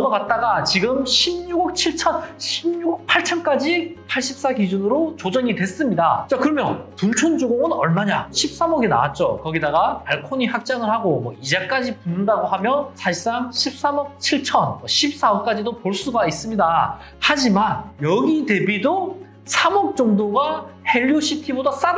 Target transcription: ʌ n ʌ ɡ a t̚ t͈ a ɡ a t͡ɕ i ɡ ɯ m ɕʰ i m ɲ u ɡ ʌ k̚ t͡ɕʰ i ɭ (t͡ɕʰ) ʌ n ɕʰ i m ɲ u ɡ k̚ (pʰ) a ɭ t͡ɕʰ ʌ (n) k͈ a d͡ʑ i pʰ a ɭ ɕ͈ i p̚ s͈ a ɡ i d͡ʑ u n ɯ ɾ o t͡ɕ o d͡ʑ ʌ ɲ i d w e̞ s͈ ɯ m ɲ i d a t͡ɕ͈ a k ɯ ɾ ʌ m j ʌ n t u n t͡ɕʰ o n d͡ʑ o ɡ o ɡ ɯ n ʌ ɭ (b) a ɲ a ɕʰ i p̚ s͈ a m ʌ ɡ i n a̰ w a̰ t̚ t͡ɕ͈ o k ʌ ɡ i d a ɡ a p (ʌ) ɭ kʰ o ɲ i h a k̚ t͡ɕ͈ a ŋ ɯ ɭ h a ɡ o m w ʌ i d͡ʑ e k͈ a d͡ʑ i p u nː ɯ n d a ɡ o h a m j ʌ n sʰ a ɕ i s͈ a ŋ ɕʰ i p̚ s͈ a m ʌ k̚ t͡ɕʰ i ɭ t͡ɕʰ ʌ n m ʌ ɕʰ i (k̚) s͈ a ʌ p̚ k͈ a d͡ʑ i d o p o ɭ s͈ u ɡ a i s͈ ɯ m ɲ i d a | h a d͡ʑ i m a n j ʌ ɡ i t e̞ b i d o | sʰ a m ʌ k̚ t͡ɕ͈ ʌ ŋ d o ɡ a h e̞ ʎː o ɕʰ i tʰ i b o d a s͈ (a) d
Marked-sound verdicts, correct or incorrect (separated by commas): correct, correct, correct, incorrect, incorrect, incorrect, correct